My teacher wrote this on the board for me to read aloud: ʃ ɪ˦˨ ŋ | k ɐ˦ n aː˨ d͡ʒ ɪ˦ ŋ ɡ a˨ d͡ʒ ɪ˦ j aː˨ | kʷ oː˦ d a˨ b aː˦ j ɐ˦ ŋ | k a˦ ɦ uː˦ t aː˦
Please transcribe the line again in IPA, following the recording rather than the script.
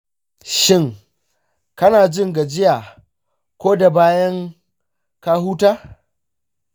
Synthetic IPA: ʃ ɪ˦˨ ŋ | k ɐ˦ n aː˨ d͡ʒ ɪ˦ ŋ ɡ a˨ d͡ʒ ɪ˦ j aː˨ | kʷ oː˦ d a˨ b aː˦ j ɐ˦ ŋ | k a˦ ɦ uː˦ t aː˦